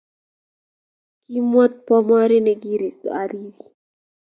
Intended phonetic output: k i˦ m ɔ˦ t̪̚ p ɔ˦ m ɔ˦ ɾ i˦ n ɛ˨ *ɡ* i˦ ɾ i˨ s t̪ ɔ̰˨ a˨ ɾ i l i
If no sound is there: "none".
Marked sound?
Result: ɡ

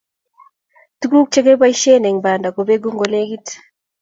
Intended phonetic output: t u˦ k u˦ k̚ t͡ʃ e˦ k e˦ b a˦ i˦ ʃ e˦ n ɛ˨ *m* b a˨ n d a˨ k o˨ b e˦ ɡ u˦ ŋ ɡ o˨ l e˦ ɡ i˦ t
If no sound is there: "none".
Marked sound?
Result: ŋ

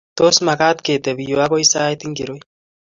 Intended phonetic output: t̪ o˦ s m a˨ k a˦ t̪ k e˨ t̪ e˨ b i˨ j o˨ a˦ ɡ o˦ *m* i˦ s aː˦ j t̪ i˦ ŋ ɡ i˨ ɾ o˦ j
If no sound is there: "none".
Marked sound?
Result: none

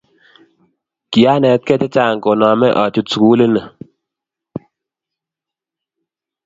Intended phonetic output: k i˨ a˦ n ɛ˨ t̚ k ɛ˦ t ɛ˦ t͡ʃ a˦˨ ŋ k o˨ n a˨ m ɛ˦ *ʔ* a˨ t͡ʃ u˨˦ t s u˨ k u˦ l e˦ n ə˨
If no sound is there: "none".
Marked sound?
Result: ʔ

